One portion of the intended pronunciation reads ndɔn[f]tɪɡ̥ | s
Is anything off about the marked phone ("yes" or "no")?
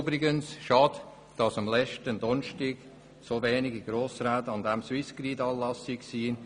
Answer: yes